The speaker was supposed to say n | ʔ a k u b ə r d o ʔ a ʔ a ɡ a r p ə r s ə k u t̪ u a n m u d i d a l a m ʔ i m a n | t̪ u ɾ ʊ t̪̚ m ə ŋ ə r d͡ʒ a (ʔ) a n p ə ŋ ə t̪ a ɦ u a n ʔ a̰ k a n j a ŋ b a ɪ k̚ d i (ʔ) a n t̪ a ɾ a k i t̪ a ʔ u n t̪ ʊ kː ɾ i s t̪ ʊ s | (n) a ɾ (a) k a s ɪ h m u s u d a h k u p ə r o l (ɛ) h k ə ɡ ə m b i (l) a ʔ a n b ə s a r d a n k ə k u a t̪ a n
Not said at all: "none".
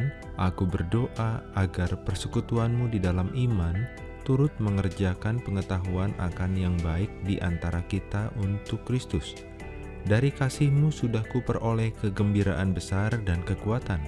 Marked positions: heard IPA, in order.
k, ʔ, d, i, ɛ, ɾ

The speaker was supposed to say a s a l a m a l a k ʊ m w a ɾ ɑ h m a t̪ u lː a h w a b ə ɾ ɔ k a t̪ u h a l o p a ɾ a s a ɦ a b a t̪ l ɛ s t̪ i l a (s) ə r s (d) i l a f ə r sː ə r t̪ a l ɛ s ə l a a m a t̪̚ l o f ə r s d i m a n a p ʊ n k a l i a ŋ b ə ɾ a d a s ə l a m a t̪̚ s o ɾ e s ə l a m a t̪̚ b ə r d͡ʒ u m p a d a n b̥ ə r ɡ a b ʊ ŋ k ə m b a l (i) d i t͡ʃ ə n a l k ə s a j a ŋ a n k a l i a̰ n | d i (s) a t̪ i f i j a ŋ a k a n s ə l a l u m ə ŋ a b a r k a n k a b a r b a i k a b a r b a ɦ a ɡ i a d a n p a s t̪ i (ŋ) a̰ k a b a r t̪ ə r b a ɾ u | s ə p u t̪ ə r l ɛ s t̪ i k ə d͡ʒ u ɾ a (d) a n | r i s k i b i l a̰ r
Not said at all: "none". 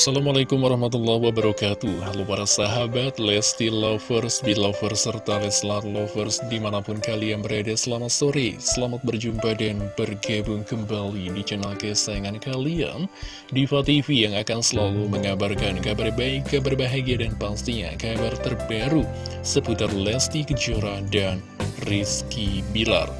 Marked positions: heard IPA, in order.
f, b, i, f, ɲ, d

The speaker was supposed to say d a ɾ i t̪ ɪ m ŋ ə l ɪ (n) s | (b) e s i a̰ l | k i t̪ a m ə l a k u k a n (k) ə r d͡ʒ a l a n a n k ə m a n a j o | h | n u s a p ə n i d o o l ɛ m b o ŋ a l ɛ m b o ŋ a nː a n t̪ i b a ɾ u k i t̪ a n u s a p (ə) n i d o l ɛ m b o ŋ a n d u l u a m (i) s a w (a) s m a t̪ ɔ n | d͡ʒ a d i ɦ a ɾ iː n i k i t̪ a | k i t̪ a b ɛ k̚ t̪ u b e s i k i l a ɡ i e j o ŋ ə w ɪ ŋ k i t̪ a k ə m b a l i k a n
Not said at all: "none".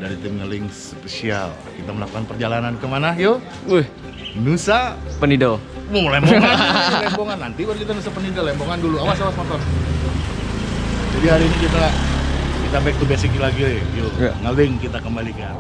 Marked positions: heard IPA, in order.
ŋ, p, p, ə, a, a

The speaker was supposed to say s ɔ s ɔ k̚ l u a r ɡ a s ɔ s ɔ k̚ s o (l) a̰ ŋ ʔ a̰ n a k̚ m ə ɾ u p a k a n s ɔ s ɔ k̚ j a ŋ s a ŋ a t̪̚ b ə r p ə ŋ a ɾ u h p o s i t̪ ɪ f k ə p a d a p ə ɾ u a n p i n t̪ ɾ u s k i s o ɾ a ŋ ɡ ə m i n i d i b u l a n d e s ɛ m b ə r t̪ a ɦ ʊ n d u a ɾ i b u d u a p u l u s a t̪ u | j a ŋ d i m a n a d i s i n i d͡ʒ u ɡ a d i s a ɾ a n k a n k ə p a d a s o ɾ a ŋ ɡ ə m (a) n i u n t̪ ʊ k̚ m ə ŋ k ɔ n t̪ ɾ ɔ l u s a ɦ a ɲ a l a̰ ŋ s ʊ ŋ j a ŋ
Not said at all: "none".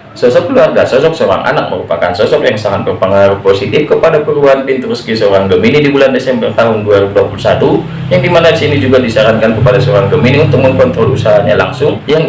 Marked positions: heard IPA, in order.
ɾ, i

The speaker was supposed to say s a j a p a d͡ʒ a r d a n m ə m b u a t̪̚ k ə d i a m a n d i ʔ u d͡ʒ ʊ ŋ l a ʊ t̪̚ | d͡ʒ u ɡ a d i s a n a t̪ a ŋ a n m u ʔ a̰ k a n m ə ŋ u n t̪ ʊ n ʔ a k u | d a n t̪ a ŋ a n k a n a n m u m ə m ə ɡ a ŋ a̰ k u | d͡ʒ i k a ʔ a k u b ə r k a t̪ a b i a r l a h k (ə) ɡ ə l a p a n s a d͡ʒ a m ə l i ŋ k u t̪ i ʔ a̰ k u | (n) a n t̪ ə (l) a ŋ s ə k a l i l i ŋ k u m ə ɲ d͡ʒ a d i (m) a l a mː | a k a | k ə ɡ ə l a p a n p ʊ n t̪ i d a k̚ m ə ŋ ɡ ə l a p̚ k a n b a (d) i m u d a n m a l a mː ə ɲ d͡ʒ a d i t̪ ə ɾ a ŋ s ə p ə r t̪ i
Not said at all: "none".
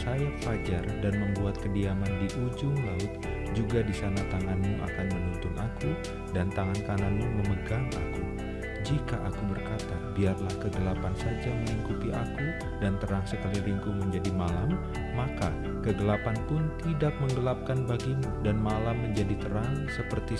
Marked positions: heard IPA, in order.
ə, d, ɾ, m, ɡ

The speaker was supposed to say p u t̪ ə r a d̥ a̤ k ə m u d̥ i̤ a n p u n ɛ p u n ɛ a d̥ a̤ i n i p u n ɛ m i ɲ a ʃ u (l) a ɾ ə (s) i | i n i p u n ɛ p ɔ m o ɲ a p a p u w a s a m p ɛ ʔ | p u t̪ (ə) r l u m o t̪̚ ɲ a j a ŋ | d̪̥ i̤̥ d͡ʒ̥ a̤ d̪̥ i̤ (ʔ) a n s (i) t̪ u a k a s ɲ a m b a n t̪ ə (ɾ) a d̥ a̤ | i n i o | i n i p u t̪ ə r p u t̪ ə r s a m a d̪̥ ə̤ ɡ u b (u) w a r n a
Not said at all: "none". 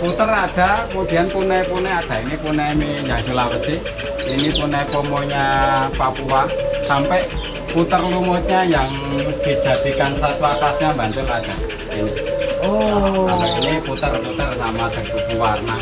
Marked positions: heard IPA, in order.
l, s, ə, k, a, l, u

